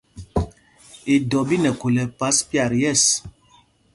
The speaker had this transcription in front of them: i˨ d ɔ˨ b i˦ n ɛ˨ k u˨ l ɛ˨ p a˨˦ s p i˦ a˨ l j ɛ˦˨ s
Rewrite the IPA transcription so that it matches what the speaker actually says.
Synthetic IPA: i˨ d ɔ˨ b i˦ n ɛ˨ k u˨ l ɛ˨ p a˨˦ s p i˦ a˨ ɾ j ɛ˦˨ s